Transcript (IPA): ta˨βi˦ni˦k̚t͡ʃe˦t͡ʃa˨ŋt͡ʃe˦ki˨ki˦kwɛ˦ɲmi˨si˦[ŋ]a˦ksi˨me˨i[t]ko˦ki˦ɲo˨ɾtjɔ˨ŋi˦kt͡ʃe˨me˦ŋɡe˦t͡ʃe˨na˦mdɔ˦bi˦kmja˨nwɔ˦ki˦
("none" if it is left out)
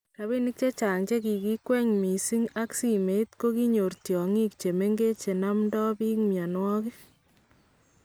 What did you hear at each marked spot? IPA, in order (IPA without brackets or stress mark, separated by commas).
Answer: ŋ, t